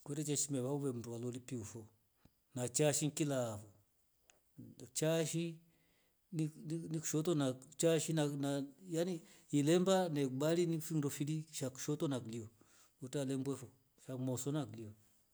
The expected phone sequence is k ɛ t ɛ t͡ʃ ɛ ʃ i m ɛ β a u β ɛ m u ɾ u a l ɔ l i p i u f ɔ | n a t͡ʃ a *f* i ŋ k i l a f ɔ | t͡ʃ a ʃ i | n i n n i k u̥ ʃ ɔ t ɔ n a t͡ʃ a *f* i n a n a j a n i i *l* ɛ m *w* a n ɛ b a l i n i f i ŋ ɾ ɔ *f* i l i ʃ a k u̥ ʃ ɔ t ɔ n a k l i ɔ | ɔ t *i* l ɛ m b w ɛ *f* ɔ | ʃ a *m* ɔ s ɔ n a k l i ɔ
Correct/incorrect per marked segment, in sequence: incorrect, incorrect, correct, incorrect, correct, incorrect, correct, correct

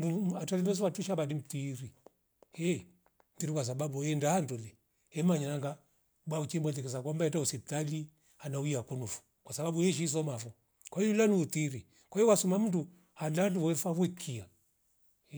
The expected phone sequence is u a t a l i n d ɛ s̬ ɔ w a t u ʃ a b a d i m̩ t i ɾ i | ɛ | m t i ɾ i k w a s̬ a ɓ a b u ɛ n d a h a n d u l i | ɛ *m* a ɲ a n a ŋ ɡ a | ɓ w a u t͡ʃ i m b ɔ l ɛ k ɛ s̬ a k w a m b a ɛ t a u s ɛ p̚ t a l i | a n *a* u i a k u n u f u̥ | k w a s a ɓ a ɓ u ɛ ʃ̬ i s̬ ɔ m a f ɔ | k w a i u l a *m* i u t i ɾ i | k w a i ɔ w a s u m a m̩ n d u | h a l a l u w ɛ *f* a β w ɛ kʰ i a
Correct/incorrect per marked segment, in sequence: correct, correct, incorrect, correct

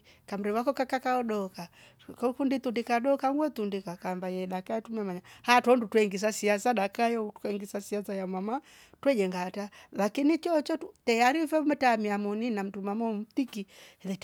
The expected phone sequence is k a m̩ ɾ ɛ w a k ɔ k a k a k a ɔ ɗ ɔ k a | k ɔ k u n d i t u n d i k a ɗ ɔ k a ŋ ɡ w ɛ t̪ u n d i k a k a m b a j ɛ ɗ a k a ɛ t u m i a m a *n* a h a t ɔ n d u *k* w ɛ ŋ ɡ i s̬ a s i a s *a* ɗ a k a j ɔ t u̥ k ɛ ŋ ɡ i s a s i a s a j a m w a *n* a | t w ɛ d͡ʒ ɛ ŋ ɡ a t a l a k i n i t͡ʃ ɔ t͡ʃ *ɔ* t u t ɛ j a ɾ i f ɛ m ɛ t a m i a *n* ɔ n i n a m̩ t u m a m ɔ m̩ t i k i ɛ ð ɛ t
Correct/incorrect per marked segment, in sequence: incorrect, incorrect, correct, incorrect, correct, incorrect

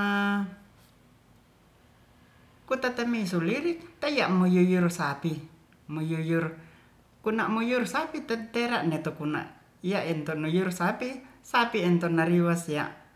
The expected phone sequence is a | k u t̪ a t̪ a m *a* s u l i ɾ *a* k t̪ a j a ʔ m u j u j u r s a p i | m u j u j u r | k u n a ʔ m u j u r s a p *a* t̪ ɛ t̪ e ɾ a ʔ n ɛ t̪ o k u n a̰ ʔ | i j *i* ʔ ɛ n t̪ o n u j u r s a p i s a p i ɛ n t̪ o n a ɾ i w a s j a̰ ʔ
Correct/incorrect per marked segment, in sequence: incorrect, incorrect, incorrect, incorrect

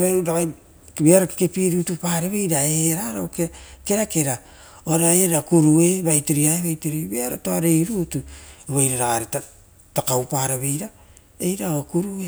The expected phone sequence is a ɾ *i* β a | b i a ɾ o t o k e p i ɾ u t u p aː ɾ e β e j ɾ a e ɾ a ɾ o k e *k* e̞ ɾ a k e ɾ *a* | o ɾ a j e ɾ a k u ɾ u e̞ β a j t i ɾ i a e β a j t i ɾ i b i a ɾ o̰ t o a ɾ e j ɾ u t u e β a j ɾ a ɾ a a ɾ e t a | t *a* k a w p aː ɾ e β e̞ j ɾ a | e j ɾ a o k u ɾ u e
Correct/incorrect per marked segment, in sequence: incorrect, correct, correct, correct

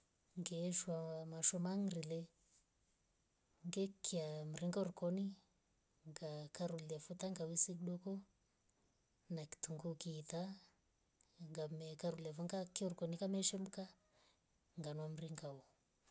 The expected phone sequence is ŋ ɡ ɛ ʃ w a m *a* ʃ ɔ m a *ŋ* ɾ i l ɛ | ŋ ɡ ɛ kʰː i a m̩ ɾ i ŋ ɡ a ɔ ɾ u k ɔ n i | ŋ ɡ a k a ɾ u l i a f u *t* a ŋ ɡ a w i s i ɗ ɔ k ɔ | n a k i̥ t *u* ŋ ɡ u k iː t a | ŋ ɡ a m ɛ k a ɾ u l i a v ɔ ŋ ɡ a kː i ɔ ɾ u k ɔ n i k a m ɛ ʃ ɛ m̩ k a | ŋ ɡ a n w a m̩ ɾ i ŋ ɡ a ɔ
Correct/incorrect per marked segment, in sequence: correct, correct, correct, correct

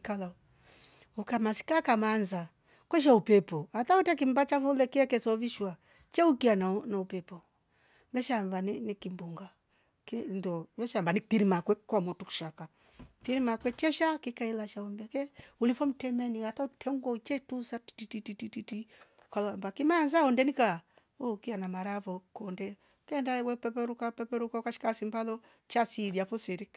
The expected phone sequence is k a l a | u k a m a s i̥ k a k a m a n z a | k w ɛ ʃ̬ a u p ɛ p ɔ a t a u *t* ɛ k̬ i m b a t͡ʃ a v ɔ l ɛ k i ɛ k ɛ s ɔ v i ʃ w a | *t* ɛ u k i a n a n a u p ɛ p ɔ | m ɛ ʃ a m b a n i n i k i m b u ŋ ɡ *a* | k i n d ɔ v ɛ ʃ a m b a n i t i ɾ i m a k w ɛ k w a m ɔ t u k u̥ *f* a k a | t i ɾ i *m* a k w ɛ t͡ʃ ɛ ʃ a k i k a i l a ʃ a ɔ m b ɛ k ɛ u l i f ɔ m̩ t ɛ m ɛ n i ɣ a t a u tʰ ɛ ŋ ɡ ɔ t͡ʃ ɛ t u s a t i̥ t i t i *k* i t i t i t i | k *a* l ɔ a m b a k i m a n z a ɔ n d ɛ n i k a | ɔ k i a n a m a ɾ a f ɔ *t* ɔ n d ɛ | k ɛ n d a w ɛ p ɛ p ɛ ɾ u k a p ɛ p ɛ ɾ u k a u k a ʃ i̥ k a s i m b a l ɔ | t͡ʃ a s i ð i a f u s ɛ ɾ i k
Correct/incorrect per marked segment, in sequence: correct, incorrect, correct, incorrect, correct, incorrect, correct, incorrect

